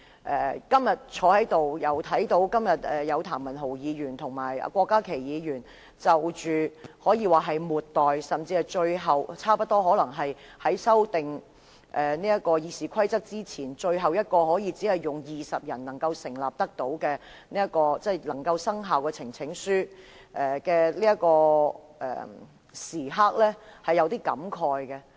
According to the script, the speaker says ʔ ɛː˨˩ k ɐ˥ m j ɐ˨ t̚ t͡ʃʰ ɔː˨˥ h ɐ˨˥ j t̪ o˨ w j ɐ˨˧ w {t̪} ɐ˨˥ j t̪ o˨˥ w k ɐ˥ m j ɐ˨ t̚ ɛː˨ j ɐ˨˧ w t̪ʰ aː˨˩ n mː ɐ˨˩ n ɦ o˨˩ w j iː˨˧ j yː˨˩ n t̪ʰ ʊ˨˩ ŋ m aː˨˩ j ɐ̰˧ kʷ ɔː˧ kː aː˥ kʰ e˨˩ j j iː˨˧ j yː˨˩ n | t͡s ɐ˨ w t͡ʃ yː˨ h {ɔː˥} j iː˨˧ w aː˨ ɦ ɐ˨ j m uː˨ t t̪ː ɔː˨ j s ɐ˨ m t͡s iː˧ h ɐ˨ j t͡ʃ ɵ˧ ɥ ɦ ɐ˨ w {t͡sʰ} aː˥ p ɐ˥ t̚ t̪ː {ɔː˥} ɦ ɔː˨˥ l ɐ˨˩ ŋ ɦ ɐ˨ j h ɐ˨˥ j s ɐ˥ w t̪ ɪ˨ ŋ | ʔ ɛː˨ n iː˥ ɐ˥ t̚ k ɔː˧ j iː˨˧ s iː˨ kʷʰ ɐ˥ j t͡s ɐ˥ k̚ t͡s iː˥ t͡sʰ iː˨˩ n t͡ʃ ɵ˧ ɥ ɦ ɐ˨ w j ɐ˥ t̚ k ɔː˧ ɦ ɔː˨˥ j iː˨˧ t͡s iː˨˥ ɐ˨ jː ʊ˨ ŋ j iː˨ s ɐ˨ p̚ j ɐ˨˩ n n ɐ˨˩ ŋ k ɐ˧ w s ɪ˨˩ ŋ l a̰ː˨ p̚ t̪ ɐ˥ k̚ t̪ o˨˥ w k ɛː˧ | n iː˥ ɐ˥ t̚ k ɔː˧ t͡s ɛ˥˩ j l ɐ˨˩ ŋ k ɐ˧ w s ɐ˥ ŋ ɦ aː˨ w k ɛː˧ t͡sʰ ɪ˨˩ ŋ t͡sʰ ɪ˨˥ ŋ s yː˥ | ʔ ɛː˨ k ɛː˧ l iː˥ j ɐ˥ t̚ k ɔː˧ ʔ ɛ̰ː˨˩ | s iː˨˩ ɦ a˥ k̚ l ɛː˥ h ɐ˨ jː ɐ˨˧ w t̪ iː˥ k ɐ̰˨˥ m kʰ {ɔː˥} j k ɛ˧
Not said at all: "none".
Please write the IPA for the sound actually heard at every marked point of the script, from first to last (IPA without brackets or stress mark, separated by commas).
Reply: t̪ʰ, ɔː˨˥, t͡sʰ, ɔː˥, ɔː˨˧